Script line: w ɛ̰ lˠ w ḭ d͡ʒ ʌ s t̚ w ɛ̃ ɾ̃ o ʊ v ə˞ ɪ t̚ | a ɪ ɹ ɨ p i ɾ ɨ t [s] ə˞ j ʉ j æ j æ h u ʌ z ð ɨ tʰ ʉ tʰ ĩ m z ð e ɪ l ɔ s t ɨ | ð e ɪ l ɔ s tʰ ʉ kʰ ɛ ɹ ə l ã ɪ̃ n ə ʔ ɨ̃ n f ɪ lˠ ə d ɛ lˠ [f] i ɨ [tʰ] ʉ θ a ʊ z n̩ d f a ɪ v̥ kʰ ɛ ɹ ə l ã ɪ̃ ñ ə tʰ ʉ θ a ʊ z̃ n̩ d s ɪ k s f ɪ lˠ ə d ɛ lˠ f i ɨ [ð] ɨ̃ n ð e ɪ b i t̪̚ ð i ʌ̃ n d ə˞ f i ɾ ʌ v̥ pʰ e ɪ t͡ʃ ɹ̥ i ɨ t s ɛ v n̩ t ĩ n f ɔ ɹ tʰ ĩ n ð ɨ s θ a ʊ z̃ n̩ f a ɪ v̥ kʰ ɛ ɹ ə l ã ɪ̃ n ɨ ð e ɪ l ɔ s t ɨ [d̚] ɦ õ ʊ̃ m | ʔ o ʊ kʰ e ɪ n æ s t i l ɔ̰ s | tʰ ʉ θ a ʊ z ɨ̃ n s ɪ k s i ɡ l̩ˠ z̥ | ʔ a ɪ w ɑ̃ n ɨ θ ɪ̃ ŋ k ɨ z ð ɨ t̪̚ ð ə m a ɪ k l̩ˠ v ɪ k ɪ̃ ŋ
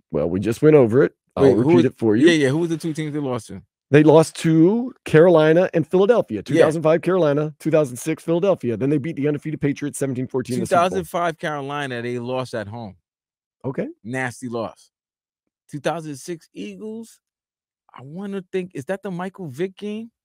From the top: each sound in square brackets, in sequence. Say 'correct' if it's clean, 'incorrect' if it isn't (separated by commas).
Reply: incorrect, correct, correct, correct, incorrect